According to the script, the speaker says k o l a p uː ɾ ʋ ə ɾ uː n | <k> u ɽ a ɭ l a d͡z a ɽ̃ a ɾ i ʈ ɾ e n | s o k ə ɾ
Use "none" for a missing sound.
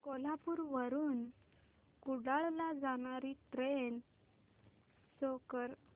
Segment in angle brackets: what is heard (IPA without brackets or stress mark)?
k